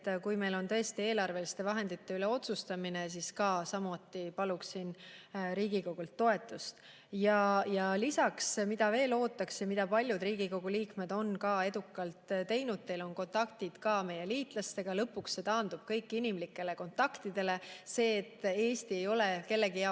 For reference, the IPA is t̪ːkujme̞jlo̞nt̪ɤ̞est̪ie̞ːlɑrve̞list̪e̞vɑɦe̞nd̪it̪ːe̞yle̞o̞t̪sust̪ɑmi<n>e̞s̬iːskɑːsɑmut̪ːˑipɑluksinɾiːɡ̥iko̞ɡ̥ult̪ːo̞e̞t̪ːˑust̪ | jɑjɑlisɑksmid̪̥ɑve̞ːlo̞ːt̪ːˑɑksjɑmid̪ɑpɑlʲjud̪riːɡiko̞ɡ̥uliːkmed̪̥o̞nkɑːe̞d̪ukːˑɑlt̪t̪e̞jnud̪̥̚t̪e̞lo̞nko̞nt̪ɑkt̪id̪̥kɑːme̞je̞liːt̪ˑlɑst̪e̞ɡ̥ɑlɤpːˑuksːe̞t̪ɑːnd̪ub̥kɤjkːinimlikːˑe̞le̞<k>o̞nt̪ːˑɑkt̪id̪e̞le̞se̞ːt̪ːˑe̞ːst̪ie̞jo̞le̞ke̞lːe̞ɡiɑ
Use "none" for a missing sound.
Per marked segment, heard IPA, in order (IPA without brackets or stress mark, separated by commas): n, k